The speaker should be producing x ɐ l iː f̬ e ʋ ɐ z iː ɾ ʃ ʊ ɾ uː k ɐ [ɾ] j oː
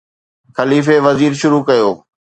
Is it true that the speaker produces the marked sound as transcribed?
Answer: no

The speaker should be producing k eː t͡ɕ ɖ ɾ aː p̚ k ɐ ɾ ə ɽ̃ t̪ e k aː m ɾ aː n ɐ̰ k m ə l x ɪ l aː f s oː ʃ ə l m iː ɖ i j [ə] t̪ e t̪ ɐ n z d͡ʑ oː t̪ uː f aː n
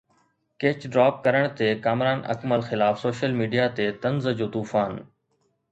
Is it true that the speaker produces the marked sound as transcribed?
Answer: no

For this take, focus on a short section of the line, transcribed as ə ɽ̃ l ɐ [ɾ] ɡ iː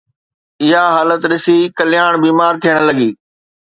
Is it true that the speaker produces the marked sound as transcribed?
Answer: no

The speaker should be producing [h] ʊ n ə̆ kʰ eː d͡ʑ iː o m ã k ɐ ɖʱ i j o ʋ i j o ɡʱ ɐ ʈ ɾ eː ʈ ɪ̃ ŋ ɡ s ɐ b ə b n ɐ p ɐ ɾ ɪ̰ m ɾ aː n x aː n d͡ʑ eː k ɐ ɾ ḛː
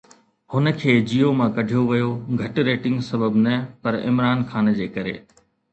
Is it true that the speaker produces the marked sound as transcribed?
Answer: yes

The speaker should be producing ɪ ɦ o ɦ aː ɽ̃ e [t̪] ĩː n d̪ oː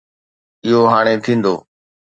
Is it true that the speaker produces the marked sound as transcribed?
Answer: no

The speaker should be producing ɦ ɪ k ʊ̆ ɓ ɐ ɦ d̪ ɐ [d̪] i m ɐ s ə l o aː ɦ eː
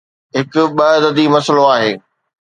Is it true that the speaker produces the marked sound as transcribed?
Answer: yes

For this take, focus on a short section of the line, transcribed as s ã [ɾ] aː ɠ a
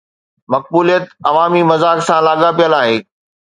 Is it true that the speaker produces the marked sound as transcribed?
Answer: no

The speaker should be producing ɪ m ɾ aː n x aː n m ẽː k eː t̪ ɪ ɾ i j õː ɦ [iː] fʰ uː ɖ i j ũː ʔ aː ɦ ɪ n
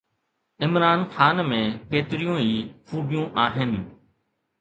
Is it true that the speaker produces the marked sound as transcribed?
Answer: yes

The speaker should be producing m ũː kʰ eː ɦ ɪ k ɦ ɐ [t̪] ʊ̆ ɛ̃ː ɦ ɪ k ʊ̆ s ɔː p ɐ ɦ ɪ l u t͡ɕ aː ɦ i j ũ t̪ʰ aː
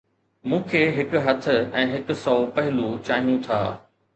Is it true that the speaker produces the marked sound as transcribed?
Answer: no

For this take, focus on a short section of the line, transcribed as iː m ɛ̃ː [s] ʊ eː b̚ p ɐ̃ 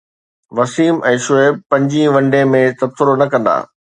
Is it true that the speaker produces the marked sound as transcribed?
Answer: no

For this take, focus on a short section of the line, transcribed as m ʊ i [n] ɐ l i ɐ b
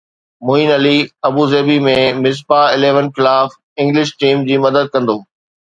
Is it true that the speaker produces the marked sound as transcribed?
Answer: yes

